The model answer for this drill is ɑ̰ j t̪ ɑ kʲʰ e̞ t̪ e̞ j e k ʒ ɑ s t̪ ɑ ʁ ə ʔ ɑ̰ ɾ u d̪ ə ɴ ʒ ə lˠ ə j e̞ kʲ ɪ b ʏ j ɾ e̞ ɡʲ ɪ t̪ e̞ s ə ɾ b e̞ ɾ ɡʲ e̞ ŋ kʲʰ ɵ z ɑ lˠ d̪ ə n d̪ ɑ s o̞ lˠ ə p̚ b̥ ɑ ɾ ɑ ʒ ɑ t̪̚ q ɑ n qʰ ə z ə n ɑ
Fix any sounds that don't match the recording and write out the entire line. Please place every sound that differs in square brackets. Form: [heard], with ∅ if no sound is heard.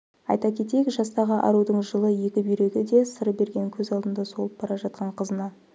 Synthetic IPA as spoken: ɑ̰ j t̪ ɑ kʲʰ e̞ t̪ e̞ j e k ʒ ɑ s t̪ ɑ ʁ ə ʔ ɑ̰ ɾ u d̪ ə ɴ ʒ ə lˠ ə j e̞ kʲ ɪ b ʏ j ɾ e̞ ɡʲ ɪ [d̪] e̞ s ə ɾ b e̞ ɾ ɡʲ e̞ ŋ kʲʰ ɵ z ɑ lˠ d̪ ə n d̪ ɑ s o̞ lˠ ə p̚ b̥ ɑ ɾ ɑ ʒ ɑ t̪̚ q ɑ [ɴ] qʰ ə z ə n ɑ